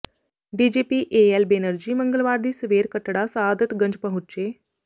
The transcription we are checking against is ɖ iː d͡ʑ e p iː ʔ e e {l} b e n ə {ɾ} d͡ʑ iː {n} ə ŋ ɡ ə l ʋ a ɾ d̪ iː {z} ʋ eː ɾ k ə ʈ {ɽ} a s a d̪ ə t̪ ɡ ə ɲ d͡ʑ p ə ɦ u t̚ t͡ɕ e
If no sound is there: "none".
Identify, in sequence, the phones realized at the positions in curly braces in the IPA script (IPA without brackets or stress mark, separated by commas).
l, ɾ, m, s, ɽ